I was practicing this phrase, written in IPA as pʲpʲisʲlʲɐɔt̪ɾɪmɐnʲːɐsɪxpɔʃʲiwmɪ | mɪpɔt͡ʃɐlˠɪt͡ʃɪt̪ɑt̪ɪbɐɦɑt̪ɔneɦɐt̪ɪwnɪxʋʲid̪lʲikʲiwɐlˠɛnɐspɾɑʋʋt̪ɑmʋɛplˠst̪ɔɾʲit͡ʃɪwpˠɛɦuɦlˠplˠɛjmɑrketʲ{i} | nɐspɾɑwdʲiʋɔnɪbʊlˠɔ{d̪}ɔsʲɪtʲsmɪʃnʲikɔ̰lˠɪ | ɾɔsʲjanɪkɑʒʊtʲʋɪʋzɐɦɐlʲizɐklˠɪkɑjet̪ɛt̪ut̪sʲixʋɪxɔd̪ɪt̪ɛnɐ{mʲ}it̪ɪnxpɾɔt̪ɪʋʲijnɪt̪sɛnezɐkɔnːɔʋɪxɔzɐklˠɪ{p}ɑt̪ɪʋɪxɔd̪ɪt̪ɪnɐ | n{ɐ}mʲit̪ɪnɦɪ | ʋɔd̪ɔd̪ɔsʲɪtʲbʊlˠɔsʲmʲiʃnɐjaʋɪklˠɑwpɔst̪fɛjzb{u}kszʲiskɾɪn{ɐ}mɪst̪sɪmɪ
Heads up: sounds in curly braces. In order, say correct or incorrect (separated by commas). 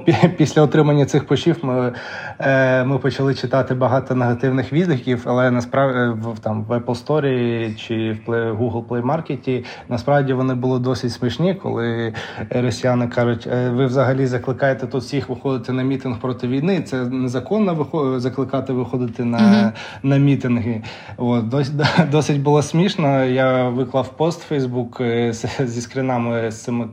correct, correct, correct, incorrect, correct, correct, incorrect